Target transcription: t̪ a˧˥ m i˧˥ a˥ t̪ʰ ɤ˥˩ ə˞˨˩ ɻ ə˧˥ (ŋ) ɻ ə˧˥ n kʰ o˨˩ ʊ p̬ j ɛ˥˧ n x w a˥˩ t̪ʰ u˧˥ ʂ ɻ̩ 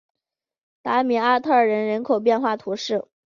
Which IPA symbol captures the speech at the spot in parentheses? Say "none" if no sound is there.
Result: n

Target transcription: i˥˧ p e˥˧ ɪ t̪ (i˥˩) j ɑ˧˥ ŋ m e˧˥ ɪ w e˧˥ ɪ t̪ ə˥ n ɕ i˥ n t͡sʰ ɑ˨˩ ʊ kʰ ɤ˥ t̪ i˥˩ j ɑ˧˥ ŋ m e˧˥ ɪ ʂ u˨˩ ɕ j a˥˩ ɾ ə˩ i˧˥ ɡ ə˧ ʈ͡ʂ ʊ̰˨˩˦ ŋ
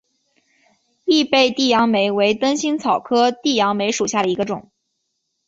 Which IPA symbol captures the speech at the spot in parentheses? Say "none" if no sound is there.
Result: i˥˩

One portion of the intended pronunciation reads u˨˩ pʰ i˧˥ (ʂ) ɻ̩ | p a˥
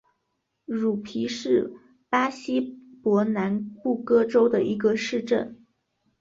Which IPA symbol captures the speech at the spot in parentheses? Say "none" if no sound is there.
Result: ʂ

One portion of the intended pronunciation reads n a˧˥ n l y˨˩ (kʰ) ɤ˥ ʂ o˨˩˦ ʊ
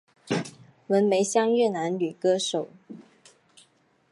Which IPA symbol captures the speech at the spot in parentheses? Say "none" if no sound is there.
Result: k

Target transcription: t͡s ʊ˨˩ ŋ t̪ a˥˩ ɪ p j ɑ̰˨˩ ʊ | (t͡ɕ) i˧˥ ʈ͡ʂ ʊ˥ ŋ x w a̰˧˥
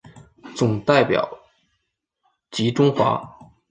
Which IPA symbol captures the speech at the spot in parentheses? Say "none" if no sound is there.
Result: t͡ɕ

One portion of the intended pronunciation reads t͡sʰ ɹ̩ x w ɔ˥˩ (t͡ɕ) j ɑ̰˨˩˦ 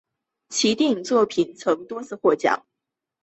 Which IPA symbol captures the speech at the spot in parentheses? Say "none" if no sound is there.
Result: t͡ɕ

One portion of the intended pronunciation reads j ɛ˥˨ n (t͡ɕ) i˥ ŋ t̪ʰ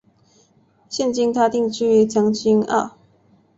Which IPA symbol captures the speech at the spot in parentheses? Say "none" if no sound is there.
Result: t͡ɕ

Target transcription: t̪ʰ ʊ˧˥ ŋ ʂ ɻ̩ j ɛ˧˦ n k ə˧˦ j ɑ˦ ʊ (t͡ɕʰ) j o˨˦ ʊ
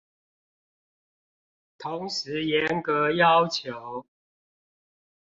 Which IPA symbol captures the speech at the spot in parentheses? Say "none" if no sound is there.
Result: t͡ɕʰ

